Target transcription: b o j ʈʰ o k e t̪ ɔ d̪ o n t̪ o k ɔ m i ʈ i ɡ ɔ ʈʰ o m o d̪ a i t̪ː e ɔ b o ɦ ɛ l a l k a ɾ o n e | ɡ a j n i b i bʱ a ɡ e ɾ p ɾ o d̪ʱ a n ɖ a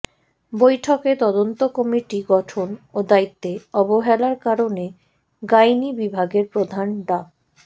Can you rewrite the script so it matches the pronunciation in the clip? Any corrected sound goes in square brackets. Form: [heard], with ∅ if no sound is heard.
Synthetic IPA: b o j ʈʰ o k e t̪ ɔ d̪ o n t̪ o k ɔ m i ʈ i ɡ ɔ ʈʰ o [n] o d̪ a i t̪ː e ɔ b o ɦ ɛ l a [ɾ] k a ɾ o n e | ɡ a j n i b i bʱ a ɡ e ɾ p ɾ o d̪ʱ a n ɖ a